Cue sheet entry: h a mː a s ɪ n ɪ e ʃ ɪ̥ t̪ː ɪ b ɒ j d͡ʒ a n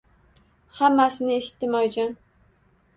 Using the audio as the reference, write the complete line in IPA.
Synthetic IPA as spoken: h a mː a s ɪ n ɪ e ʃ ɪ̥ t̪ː ɪ m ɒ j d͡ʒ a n